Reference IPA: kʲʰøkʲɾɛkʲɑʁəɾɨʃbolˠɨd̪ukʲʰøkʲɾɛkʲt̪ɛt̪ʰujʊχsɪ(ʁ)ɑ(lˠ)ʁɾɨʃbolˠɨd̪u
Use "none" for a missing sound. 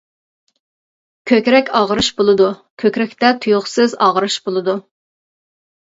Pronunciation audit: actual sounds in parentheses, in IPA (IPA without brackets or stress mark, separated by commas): z, none